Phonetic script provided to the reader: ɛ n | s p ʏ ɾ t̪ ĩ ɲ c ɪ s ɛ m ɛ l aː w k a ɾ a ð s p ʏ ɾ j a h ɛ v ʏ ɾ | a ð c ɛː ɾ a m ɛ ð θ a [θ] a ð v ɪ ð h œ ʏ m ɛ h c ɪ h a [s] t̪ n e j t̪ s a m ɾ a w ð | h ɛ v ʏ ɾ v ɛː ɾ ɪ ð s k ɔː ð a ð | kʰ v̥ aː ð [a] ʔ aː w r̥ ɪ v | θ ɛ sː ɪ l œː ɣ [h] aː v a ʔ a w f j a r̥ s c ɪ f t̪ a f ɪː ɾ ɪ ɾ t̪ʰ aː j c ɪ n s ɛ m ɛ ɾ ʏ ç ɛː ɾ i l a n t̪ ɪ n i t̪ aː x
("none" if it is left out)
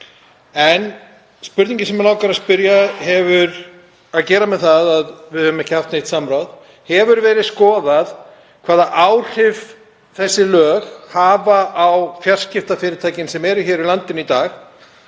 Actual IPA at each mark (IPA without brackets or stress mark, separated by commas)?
ð, f, a, h